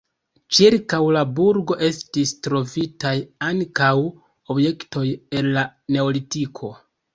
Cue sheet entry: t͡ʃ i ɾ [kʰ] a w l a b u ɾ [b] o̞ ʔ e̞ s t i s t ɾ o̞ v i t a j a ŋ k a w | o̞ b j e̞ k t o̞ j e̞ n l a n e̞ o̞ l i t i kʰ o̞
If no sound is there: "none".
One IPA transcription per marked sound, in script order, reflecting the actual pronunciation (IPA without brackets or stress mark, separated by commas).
k, ɡ